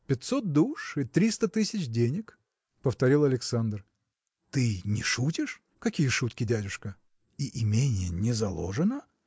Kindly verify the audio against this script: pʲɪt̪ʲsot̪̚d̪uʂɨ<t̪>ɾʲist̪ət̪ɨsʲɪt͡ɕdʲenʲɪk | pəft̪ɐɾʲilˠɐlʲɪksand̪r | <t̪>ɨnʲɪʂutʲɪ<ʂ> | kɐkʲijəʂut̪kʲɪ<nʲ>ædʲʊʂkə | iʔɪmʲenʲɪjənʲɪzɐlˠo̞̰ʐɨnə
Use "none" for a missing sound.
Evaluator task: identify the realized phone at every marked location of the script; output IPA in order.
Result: t̪, t̪, ʂ, dʲ

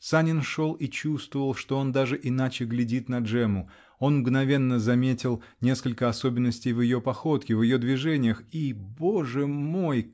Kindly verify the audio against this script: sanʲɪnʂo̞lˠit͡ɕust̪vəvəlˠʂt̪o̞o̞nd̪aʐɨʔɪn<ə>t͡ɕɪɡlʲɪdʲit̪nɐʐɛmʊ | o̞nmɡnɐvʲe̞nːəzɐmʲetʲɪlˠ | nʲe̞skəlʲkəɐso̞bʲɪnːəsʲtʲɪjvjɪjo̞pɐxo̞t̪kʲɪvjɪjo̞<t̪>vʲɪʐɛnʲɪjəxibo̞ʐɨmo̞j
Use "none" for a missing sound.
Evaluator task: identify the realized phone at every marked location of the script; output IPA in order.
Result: a, d̪

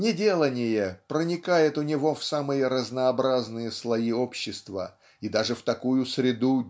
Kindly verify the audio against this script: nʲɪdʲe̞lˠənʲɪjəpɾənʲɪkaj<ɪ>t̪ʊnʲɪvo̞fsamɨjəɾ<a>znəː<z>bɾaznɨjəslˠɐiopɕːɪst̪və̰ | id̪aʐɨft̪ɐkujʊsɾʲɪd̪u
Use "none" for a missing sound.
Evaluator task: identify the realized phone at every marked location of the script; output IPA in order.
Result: ɪ, ə, none

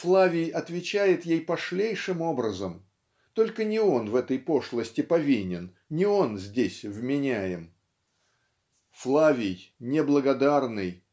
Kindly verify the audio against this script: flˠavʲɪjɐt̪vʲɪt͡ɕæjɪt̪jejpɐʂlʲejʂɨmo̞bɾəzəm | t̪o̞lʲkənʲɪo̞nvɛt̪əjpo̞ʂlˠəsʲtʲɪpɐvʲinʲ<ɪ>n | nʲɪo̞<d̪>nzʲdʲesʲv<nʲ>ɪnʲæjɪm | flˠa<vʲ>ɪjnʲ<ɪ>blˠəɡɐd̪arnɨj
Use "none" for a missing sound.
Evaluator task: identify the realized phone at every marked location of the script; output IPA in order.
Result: ɪ, none, mʲ, vʲ, ɪ

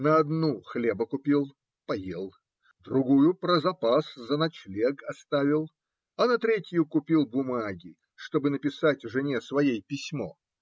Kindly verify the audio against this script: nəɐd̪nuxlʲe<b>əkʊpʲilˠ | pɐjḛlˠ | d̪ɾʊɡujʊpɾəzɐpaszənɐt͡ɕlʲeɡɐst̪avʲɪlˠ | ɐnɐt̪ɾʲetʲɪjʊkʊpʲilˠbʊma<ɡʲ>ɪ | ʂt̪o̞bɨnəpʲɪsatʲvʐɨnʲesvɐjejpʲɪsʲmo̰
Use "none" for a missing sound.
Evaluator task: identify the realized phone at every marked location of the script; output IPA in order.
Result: b, ɡʲ

